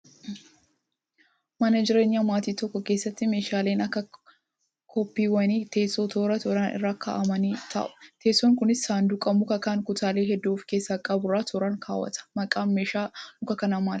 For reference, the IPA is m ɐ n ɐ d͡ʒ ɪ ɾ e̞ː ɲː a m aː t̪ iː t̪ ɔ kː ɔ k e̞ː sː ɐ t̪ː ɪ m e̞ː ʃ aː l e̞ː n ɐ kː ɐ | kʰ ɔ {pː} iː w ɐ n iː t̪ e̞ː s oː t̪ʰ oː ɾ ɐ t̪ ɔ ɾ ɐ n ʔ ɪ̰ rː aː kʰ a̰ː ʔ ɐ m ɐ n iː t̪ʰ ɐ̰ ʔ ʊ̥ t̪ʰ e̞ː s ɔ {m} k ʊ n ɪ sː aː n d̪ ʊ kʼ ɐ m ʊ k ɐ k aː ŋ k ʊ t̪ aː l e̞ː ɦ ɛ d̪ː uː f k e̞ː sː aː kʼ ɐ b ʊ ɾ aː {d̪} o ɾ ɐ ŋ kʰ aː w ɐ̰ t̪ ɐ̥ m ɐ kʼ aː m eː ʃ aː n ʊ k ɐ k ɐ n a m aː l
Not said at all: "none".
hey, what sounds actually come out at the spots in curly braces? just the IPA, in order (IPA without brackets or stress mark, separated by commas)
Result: pː, ŋ, t̪